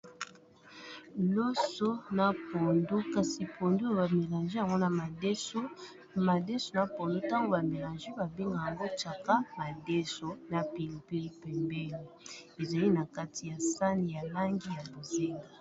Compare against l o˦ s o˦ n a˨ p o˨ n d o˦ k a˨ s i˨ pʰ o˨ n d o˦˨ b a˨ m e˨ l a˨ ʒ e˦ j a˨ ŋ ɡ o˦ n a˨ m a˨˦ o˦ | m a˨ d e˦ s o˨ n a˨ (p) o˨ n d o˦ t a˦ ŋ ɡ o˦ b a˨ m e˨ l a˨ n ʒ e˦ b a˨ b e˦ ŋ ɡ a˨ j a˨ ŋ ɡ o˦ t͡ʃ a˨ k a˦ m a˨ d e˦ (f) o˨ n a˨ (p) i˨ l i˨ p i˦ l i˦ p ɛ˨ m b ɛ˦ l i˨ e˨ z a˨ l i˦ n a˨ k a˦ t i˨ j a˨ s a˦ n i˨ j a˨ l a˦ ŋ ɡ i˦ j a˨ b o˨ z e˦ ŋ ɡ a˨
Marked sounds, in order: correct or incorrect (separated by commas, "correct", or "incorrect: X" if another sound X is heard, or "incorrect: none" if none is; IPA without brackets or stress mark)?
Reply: correct, incorrect: s, correct